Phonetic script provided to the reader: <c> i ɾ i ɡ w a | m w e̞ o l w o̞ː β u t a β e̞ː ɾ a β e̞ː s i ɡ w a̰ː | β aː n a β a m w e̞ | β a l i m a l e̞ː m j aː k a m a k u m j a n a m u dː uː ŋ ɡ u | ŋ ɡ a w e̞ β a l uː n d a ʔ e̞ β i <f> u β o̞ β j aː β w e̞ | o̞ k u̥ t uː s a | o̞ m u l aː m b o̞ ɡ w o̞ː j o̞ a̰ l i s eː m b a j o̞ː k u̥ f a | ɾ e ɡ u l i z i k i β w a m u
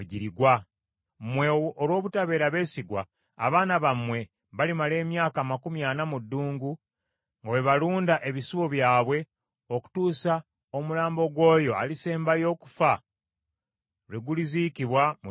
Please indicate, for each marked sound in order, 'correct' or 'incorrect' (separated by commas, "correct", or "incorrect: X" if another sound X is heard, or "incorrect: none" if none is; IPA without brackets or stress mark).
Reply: incorrect: ɟ, incorrect: s